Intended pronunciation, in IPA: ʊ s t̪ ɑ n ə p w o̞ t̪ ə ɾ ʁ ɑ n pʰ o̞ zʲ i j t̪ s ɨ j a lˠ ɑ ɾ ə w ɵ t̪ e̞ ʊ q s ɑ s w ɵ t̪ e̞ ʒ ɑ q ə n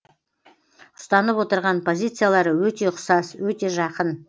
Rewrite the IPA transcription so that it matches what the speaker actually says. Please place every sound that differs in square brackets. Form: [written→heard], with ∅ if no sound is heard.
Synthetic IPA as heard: ʊ s t̪ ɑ n ə p w o̞ t̪ ə ɾ ʁ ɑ n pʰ o̞ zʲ i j t̪ s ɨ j a lˠ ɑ ɾ ə w ɵ t̪ e̞ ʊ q s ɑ s w ɵ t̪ e̞ ʒ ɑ q ə n